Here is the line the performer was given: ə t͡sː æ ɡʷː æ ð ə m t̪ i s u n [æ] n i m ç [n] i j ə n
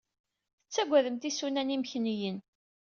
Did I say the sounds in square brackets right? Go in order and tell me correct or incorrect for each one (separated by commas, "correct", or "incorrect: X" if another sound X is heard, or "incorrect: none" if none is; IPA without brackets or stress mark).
correct, correct